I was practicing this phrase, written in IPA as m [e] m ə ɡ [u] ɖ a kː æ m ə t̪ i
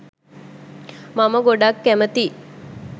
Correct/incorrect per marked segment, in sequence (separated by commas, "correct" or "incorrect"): incorrect, incorrect